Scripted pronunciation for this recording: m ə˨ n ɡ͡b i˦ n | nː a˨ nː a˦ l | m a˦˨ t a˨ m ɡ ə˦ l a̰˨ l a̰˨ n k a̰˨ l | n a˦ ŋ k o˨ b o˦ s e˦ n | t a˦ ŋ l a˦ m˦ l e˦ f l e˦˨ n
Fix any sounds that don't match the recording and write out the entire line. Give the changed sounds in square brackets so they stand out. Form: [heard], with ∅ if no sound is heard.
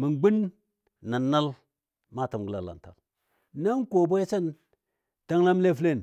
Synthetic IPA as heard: m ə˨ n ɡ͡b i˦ n | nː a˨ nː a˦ l | m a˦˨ t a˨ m ɡ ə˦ l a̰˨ l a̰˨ n [t] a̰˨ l | n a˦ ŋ k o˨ b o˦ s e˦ n | t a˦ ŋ l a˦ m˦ l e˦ f l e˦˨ n